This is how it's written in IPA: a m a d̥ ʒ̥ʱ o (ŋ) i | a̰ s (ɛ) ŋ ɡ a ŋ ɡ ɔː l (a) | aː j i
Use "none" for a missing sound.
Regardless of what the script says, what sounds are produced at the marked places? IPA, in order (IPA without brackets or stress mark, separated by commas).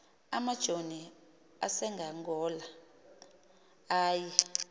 n, ɛ, a